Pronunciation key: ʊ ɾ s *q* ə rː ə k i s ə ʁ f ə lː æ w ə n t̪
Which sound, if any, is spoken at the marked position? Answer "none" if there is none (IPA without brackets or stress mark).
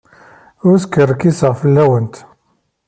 k